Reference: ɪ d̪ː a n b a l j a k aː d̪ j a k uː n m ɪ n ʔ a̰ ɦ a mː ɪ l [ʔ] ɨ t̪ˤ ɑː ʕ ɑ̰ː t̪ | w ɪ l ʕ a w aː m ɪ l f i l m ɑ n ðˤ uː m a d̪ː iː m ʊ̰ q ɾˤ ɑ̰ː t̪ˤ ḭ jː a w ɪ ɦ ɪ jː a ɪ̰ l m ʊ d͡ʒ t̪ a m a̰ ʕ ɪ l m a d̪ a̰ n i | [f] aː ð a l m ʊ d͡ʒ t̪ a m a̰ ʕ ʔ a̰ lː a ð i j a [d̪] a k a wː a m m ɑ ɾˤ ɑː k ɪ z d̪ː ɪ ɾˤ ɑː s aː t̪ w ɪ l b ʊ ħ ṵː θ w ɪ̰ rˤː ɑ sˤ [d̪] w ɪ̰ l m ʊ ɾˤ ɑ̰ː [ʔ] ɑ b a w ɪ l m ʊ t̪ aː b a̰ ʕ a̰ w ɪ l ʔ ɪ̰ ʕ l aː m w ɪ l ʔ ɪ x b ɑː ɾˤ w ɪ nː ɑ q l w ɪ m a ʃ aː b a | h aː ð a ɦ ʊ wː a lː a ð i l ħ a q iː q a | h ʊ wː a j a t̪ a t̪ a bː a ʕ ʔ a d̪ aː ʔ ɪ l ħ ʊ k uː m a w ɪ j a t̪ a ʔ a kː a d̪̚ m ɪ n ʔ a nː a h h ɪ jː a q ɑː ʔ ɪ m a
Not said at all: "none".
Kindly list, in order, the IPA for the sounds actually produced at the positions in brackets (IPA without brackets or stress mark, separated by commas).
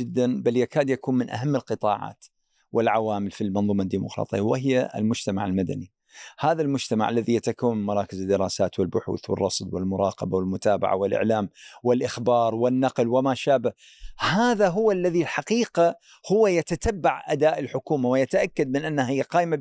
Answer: q, h, t̪, d̪, q